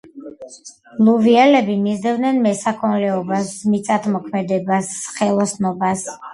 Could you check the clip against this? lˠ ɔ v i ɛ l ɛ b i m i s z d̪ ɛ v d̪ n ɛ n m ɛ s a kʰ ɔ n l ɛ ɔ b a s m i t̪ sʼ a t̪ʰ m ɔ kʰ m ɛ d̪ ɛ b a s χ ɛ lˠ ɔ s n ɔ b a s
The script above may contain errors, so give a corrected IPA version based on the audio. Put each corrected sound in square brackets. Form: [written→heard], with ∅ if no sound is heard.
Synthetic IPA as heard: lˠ [ɔ→u] v i ɛ l ɛ b i m i [s→∅] z d̪ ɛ v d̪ n ɛ n m ɛ s a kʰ ɔ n l ɛ ɔ b a s m i t̪ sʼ a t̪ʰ m ɔ kʰ m ɛ d̪ ɛ b a s χ ɛ lˠ ɔ s n ɔ b a s